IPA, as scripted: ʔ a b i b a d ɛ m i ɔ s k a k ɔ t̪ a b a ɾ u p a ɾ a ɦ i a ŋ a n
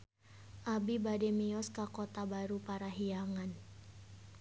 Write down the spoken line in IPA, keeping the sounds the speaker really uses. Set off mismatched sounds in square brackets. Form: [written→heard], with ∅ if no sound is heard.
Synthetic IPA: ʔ a b i b a d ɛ m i ɔ s k a k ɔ t̪ a b a ɾ u p a ɾ a ɦ i a ŋ a n